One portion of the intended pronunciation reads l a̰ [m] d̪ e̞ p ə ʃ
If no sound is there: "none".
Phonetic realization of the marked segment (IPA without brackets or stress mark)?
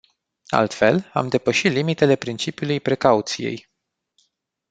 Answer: m